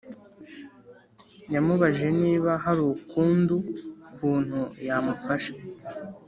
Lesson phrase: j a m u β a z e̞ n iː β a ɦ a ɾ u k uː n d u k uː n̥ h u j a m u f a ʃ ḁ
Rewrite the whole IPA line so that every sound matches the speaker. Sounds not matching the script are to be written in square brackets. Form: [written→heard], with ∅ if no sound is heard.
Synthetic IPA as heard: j a m u β a [z→ʒ] e̞ n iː β a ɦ a ɾ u k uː n d u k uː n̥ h u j a m u f a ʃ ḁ

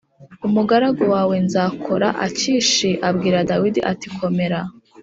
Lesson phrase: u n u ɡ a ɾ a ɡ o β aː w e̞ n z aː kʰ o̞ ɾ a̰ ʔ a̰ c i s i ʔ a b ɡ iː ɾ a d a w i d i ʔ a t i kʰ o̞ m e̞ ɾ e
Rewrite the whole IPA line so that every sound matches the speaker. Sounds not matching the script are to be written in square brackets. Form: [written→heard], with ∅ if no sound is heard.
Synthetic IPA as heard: u [n→m] u ɡ a ɾ a ɡ o [β→w] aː w e̞ n z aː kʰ o̞ ɾ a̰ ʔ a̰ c i [s→ʃ] i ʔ a b ɡ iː ɾ a d a w i d i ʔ a t i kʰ o̞ m e̞ ɾ [e→a]

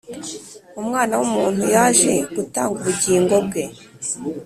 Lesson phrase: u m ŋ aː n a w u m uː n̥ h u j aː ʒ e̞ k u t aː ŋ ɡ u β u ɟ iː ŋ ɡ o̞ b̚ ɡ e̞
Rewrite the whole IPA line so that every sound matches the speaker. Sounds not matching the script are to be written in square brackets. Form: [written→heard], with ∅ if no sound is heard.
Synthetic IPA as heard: u m ŋ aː n a w u m uː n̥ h u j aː ʒ e̞ [k→ɡ] u t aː ŋ ɡ u β u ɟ iː ŋ ɡ o̞ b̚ ɡ e̞

